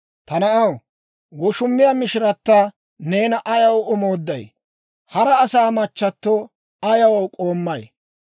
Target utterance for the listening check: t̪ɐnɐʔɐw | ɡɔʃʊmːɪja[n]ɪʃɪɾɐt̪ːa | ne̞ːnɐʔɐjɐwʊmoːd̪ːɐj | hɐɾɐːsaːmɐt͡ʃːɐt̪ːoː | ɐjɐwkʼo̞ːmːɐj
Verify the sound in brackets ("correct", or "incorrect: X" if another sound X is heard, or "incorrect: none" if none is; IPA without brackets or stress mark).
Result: incorrect: m